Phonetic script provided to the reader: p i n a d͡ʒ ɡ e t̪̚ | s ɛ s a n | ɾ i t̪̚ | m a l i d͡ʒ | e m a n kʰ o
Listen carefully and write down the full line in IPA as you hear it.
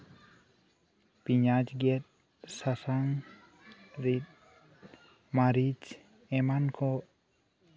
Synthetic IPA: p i ɲ a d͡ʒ ɡ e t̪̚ | s a s a ŋ | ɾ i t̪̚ | m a ɾ i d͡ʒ | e m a n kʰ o